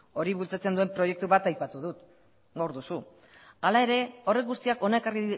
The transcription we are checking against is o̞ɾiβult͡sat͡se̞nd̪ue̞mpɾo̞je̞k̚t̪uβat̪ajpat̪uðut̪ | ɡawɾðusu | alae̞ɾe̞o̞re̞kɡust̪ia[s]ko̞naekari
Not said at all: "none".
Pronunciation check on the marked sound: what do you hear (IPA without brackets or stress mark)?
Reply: none